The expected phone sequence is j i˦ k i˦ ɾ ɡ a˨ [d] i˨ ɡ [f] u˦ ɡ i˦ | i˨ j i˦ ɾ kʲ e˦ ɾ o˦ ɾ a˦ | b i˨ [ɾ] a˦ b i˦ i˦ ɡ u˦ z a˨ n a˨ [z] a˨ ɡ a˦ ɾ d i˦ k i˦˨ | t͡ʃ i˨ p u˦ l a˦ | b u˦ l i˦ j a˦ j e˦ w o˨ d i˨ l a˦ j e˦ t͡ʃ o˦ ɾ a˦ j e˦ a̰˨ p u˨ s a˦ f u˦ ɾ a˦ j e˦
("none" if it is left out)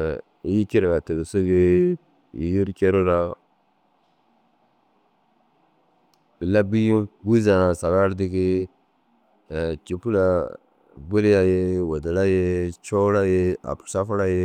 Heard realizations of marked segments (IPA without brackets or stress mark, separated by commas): t, s, l, s